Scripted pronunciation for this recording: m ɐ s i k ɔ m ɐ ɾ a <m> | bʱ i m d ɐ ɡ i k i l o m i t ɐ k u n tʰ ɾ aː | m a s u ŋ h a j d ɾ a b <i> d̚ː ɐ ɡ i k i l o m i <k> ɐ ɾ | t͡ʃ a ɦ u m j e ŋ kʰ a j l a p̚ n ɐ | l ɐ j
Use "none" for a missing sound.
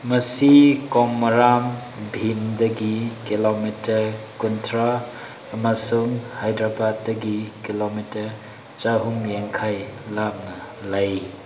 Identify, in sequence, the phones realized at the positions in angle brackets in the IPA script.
m, a, t

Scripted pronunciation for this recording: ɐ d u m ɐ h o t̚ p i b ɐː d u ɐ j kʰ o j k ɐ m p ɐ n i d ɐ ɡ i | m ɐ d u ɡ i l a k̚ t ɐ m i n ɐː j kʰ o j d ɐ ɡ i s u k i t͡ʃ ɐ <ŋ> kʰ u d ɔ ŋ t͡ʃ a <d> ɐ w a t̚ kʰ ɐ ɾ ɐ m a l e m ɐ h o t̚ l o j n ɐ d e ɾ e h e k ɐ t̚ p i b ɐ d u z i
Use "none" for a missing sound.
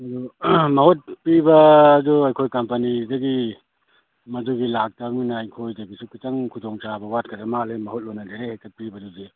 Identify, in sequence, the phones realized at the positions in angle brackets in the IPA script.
ŋ, b

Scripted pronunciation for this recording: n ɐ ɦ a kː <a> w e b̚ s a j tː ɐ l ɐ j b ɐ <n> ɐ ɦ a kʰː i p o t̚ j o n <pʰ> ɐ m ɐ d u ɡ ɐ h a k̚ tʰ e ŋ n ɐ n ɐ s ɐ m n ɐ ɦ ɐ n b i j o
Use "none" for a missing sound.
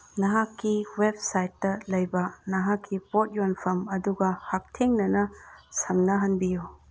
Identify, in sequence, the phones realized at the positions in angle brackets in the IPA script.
i, n, pʰ

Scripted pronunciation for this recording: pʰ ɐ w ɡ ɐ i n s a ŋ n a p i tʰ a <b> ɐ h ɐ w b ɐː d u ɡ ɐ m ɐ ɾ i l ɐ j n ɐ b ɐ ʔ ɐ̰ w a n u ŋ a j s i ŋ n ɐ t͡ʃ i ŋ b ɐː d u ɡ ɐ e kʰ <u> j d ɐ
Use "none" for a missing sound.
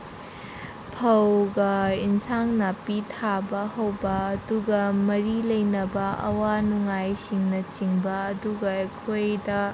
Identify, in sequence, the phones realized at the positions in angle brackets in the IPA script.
b, o

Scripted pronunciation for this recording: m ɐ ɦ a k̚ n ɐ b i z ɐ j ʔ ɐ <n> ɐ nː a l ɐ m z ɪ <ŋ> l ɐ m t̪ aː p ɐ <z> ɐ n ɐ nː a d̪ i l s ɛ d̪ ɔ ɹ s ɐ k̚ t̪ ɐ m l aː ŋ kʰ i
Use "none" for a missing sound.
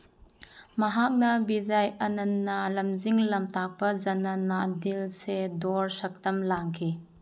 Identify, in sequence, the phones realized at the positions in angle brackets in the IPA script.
n, ŋ, z

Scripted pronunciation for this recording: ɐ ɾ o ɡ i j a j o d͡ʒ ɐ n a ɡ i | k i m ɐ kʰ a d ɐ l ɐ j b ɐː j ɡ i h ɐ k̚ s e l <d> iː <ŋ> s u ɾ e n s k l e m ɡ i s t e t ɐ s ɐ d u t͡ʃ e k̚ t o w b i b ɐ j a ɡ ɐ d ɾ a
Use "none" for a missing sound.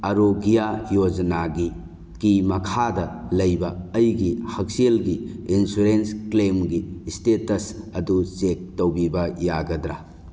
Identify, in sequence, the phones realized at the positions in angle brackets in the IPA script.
ɡ, n

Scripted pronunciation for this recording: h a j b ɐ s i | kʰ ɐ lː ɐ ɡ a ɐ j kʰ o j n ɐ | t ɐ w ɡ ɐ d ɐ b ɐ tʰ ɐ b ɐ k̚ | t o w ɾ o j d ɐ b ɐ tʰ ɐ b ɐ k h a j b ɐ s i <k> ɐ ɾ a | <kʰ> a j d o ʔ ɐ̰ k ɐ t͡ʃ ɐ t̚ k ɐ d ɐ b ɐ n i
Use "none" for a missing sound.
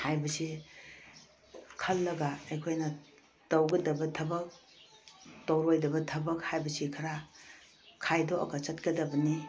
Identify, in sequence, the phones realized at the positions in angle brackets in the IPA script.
kʰ, kʰ

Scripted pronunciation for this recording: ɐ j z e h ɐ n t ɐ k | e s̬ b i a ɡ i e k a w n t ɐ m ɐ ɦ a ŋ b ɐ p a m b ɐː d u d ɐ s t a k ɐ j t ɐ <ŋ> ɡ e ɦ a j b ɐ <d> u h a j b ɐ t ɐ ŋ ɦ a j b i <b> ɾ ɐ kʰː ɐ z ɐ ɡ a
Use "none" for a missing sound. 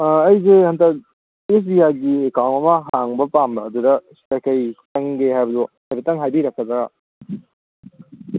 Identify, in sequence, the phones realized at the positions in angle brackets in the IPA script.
ŋ, d, none

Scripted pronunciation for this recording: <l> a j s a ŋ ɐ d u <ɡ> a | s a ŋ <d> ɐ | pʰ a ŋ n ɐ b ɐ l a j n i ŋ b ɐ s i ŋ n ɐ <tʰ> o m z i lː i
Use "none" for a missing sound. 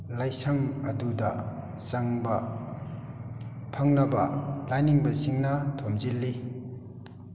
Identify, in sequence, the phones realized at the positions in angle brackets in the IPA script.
l, d, b, tʰ

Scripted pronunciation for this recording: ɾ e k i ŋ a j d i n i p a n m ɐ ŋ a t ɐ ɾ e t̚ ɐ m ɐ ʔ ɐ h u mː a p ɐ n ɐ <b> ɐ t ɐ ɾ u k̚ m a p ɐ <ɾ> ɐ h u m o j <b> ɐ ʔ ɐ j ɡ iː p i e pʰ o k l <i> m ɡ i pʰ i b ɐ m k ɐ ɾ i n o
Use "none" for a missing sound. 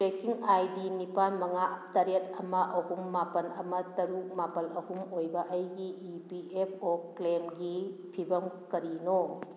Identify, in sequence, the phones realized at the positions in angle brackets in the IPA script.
m, l, b, e

